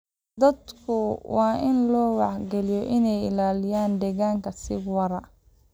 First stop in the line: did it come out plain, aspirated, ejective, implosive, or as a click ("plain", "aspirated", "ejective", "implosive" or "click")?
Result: plain